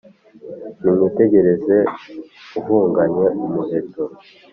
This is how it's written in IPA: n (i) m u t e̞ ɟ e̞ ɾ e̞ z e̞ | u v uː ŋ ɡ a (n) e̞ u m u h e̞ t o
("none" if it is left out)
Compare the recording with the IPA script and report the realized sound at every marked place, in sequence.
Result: i, ɲ

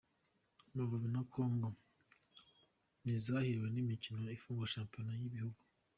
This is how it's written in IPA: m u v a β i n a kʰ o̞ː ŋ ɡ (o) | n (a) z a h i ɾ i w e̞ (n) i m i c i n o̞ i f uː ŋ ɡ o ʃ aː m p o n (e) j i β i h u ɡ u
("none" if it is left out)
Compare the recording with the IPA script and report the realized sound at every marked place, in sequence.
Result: o, i, n, a

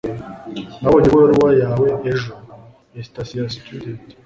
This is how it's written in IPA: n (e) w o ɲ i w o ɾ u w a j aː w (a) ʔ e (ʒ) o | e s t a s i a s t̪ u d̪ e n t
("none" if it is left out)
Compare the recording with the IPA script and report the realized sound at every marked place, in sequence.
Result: a, e, ʒ

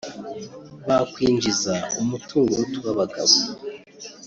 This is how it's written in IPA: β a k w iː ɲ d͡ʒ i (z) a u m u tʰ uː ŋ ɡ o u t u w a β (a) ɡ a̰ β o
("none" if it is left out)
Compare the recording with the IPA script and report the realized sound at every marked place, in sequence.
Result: z, a

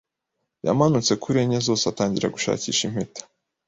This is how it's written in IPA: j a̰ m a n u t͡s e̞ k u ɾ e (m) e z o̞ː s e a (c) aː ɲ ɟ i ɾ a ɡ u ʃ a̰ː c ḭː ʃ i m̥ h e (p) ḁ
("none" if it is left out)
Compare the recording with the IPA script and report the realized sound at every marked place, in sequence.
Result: ɲ, t, t

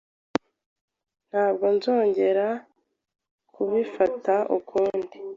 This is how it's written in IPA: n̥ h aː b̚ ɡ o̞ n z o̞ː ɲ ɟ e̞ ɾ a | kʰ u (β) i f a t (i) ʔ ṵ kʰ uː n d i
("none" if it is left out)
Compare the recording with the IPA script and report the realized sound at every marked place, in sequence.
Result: β, a

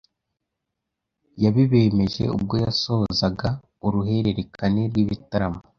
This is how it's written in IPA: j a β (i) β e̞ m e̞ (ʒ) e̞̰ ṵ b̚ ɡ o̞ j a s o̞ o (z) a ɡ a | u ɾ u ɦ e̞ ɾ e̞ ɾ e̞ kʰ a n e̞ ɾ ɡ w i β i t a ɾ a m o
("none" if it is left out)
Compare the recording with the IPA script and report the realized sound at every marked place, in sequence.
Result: i, ʒ, z

